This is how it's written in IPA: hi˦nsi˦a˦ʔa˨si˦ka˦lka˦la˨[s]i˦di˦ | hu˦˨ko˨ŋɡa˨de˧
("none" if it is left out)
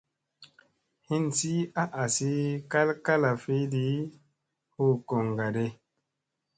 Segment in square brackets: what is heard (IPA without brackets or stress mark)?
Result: f